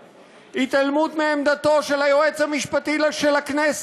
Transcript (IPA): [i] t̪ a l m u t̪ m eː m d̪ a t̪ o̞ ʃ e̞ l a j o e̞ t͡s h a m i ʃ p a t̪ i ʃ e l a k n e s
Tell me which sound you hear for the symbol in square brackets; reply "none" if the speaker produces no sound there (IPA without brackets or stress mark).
i